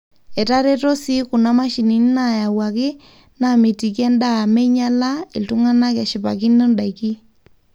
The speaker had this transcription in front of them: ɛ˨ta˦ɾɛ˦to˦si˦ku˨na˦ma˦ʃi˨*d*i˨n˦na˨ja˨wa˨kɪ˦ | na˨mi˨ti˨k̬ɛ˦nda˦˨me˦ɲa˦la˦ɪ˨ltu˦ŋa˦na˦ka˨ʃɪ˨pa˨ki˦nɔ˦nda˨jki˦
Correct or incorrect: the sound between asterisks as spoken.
incorrect: n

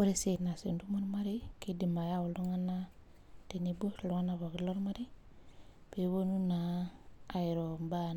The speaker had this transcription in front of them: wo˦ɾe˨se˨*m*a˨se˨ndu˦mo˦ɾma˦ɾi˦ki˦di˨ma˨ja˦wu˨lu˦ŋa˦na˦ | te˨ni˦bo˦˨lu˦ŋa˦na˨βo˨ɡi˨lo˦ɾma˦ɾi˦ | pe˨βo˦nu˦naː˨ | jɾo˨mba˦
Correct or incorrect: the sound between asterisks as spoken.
incorrect: n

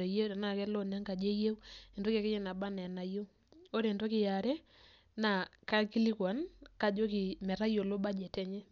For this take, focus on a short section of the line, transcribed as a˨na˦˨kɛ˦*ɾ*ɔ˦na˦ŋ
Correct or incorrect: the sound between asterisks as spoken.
incorrect: l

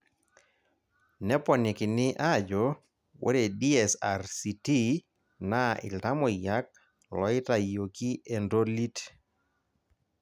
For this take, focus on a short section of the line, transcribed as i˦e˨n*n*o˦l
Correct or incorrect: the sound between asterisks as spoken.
incorrect: d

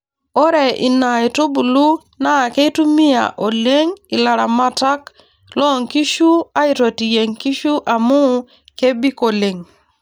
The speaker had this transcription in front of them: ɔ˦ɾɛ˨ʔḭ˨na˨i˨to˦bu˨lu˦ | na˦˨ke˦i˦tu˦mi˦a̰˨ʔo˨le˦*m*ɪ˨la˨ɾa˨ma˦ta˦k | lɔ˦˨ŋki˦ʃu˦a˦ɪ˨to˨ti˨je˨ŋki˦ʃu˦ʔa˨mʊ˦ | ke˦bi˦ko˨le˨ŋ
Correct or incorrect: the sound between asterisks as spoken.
incorrect: ŋ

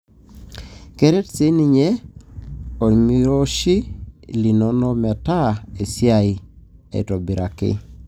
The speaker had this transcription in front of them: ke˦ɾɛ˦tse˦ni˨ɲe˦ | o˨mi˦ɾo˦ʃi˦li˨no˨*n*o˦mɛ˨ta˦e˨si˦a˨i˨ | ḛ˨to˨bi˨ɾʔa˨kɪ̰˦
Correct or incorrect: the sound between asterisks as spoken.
correct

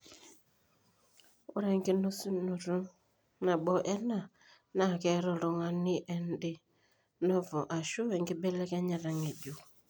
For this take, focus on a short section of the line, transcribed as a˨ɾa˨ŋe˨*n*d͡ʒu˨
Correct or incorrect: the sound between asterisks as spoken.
incorrect: none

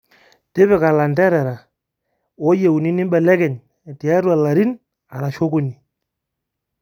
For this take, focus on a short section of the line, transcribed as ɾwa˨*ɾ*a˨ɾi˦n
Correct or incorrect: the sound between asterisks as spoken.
incorrect: l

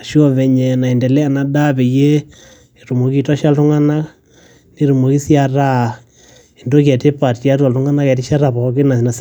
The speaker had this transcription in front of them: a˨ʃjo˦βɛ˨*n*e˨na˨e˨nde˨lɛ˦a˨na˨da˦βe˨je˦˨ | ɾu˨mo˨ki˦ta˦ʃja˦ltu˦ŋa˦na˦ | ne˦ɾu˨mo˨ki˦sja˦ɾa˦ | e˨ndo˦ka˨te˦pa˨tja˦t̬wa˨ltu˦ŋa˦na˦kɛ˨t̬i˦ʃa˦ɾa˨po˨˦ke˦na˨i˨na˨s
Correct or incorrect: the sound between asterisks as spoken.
incorrect: ɲ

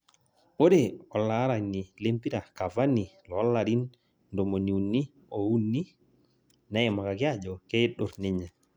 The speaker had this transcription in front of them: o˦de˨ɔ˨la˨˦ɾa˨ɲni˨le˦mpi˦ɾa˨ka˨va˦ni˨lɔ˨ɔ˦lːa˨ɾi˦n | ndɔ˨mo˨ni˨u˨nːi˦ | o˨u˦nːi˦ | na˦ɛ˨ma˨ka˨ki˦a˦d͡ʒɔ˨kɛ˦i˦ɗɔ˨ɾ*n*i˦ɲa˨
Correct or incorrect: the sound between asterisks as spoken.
correct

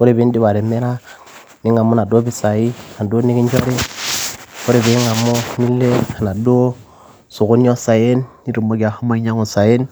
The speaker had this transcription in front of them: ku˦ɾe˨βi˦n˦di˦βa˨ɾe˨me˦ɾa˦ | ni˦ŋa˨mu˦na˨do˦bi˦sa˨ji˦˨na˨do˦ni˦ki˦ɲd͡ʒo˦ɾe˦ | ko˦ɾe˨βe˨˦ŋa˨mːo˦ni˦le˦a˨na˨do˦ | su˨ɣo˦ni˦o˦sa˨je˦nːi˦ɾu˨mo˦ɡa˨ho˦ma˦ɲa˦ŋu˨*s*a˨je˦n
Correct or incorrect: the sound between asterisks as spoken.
correct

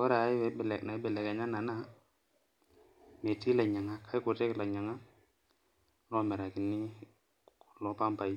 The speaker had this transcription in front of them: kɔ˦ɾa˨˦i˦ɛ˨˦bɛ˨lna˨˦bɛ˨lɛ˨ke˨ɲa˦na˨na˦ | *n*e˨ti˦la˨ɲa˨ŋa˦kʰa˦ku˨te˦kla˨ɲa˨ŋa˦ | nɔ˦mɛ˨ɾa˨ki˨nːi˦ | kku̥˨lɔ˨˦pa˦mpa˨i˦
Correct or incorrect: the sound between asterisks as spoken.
incorrect: m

